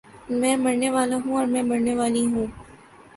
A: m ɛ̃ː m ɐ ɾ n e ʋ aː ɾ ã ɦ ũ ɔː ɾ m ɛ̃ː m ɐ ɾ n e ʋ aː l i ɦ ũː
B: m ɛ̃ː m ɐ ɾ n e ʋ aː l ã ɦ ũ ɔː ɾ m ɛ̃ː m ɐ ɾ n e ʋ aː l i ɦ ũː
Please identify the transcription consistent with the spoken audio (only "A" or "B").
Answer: B